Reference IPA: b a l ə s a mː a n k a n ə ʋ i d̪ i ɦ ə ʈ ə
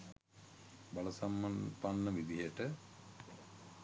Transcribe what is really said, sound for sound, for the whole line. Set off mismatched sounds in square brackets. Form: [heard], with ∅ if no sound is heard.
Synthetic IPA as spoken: b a l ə s a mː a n [p] a [nː] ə ʋ i d̪ i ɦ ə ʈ ə